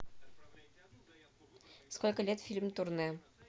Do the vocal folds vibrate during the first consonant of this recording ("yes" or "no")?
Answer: no